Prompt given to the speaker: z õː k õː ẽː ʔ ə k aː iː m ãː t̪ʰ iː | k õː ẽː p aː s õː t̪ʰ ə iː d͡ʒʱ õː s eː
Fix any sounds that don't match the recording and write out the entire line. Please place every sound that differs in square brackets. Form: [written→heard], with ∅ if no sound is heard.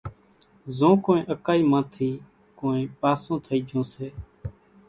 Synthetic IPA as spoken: z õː k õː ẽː ʔ ə k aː iː m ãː t̪ʰ iː | k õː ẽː p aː s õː t̪ʰ ə iː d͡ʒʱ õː s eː